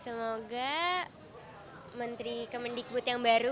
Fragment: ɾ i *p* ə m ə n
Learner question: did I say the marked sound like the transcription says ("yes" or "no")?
no